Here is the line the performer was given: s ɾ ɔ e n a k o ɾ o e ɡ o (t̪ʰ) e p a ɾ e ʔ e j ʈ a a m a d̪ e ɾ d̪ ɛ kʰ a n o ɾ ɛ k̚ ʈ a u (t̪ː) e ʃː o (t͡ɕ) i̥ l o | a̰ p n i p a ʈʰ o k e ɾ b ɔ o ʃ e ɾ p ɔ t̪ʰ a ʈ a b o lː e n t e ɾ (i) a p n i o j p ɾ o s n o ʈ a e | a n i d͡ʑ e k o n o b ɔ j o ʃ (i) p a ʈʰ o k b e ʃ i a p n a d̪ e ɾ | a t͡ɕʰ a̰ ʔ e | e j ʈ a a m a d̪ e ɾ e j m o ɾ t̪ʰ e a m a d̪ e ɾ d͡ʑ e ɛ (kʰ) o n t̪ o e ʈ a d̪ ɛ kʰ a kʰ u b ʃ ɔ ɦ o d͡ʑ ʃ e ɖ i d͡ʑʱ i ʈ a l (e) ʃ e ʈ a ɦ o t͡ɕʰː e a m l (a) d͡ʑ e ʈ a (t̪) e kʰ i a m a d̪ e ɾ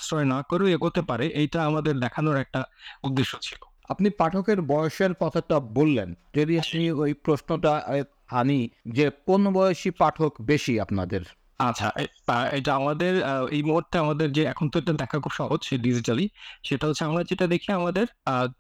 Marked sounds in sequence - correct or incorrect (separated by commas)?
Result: incorrect, incorrect, incorrect, correct, correct, correct, incorrect, correct, incorrect